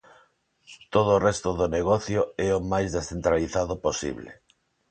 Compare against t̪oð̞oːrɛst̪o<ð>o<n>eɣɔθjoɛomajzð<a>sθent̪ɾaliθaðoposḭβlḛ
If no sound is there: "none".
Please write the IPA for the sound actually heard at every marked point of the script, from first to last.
ð, n, e

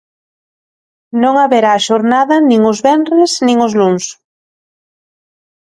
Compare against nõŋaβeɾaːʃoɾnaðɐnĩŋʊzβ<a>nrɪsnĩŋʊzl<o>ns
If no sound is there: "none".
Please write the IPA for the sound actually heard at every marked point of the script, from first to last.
ɛ, u

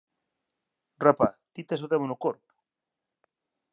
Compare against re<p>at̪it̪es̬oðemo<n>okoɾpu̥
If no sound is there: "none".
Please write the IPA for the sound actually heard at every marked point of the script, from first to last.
p, n

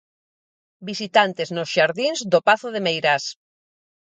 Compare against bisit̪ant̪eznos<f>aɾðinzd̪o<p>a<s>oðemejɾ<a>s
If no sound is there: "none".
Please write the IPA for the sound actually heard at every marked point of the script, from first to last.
ʃ, p, θ, a

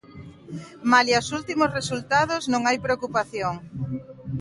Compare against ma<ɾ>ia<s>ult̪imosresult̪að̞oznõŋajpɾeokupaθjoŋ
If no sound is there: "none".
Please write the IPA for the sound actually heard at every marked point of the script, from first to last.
l, s

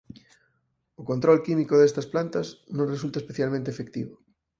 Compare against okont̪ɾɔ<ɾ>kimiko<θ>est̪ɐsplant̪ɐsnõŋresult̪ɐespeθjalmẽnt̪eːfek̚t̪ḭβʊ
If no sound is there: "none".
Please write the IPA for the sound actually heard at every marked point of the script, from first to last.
l, ð

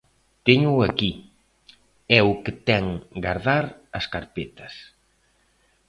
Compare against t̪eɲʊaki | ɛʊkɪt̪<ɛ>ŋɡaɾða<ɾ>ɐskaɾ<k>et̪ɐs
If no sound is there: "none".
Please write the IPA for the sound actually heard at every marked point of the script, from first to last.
ɛ, ɾ, p

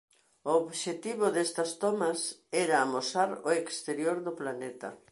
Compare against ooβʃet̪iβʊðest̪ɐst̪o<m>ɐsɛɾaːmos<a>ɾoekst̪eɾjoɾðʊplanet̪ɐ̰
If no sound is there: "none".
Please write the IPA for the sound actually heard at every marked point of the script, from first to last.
m, a

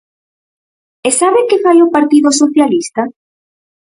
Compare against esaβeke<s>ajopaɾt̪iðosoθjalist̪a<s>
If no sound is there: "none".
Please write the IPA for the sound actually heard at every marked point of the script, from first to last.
f, none

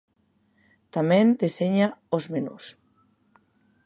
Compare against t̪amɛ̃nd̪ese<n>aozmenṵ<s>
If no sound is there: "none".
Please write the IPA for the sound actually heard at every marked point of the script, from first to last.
ɲ, s

